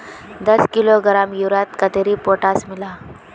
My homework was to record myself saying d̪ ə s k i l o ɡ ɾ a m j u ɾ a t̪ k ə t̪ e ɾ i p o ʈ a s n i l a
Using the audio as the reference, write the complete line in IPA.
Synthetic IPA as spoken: d̪ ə s k i l o ɡ ɾ a m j u ɾ a t̪ k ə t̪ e ɾ i p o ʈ a s m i l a